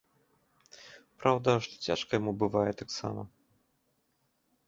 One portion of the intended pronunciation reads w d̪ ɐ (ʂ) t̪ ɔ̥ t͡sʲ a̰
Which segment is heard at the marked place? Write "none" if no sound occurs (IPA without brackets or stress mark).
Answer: ʂ